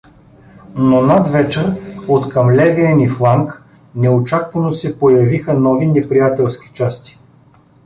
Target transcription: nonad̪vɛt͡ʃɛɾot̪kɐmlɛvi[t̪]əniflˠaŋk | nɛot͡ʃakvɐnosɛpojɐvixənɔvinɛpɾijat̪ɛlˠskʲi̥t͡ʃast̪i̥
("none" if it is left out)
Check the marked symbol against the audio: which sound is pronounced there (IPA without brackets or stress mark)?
none